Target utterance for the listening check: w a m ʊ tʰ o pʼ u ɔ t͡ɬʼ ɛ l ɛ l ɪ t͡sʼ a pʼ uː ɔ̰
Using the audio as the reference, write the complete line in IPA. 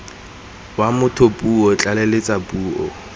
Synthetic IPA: w a m ʊ tʰ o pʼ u ɔ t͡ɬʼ a l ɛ l ɪ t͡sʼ a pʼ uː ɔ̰